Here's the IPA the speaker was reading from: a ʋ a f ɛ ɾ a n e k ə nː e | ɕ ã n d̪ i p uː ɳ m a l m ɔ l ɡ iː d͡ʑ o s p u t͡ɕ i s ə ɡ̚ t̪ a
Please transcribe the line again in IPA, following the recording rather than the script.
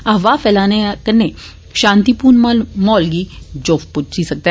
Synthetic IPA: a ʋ a f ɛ l a n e k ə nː e | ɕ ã n t̪ i p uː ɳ m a l m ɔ l ɡ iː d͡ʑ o f p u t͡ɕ i s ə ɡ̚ t̪ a